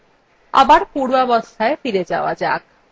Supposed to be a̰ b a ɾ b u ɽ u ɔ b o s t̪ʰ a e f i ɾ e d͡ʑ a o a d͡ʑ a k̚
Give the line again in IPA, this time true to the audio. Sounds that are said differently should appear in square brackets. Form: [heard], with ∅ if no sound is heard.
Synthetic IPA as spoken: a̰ b a ɾ [p] u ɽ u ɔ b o s t̪ʰ a e f i ɾ e d͡ʑ a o a d͡ʑ a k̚